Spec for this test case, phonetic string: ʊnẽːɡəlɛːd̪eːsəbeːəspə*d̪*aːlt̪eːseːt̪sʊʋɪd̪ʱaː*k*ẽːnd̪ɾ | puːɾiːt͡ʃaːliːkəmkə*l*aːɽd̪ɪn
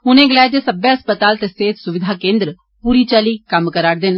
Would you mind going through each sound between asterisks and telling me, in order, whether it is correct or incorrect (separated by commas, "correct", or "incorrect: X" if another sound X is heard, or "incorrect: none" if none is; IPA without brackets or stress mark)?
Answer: incorrect: t̪, correct, incorrect: ɾ